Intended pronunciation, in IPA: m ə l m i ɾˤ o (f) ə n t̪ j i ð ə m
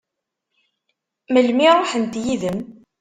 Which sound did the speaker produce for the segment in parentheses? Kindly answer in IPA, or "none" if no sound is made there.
ħ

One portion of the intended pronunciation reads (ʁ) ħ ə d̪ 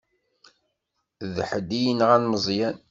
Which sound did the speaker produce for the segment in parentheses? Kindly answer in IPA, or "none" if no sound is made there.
ð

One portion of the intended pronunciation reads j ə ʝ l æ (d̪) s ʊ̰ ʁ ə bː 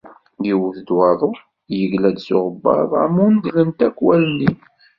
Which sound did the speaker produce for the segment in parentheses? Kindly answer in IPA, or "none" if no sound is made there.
d̪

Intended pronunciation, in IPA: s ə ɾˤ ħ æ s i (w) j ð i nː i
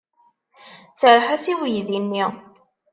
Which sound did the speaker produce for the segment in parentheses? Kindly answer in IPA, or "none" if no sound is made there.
w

